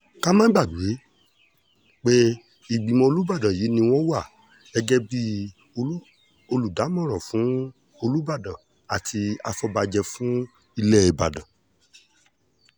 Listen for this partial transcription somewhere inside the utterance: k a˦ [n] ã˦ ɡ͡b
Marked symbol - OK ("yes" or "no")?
no